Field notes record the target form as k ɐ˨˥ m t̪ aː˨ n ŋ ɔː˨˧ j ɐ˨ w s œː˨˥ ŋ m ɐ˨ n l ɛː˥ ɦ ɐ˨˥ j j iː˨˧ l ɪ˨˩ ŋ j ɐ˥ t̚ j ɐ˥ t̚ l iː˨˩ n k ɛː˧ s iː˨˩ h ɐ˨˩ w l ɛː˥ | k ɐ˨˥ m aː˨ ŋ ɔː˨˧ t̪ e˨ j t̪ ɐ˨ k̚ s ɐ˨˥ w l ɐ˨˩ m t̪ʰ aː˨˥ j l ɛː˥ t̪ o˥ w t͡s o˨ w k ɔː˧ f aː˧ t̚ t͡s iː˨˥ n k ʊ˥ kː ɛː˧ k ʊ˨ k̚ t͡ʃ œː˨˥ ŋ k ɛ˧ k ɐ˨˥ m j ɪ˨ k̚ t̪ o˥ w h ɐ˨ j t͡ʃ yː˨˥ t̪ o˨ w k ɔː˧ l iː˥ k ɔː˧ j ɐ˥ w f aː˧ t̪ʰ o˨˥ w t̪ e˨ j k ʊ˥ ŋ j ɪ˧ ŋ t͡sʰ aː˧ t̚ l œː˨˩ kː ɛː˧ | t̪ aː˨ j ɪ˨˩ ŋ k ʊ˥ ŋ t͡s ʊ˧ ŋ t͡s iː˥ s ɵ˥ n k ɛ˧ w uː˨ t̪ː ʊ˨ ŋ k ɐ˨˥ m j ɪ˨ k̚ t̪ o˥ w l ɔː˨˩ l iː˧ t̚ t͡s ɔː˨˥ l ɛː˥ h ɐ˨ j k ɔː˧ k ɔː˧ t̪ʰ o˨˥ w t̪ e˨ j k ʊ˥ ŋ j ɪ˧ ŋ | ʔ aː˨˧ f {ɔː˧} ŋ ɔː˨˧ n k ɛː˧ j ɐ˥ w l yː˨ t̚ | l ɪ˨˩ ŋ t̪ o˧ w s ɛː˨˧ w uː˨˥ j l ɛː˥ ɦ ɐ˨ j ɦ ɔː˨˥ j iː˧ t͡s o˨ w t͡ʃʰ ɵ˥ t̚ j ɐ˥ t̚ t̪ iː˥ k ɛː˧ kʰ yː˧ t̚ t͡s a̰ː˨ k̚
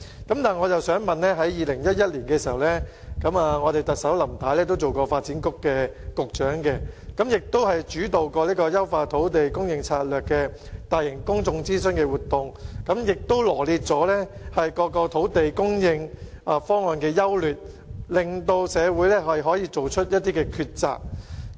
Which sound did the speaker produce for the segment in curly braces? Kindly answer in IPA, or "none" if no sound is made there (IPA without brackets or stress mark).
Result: ɔː˥